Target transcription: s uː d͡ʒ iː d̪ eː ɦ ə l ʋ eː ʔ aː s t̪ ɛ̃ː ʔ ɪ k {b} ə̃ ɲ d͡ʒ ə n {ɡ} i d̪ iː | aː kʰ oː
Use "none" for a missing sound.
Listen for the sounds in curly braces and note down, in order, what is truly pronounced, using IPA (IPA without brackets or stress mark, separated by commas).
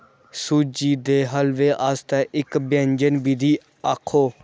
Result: b, b